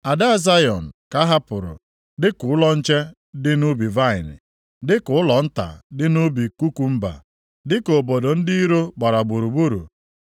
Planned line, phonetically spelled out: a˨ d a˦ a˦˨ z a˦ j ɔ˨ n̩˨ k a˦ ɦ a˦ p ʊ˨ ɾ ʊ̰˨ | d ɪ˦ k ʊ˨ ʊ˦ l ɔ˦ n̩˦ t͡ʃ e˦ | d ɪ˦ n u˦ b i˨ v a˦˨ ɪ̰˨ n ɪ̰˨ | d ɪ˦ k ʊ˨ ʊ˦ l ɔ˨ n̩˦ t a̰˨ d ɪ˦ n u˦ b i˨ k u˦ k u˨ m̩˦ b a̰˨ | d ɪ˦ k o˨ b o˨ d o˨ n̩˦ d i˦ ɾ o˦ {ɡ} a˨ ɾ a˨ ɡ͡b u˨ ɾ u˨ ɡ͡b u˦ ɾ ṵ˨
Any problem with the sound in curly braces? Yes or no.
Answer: yes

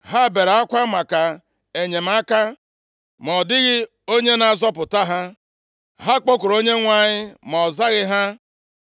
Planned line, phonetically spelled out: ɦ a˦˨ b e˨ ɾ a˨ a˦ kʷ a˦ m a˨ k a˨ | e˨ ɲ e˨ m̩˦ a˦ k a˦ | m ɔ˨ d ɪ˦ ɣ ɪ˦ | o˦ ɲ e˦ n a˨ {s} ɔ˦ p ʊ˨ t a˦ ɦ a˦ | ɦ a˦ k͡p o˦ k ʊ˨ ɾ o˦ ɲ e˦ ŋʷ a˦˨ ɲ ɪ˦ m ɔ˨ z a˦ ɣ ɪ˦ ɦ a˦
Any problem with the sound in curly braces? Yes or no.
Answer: yes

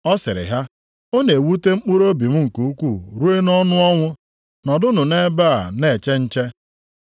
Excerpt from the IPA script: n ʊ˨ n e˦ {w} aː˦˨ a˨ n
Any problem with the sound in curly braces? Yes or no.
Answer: yes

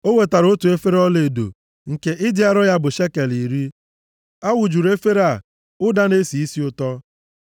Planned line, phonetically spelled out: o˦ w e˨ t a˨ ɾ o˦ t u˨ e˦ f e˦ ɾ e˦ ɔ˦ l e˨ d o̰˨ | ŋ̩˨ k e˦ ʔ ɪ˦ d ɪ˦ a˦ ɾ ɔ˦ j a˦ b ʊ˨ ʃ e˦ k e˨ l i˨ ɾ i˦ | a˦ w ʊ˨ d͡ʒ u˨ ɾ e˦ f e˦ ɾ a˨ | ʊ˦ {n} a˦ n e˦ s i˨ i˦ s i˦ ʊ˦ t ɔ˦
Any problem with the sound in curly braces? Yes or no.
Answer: yes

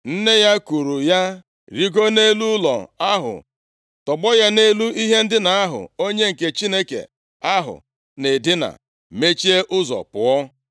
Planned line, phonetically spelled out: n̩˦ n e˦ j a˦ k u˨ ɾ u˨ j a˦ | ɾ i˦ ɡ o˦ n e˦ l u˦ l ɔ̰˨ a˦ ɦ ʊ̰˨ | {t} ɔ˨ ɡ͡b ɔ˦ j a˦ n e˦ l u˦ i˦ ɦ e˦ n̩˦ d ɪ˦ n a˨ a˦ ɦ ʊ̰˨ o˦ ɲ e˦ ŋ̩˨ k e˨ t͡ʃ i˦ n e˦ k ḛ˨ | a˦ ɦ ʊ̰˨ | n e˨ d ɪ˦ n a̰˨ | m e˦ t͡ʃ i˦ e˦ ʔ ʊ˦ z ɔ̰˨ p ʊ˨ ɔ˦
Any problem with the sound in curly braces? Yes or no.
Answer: no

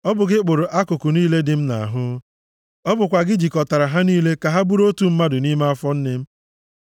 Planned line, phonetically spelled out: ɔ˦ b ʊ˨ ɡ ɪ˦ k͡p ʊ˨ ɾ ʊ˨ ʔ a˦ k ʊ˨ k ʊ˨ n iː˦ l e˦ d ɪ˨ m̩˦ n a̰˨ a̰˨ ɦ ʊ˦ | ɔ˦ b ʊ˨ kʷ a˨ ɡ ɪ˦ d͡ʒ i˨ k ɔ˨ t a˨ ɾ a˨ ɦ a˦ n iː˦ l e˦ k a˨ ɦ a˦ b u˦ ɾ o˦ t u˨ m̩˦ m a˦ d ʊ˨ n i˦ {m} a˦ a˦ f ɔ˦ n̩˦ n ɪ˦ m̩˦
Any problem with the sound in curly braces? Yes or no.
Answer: no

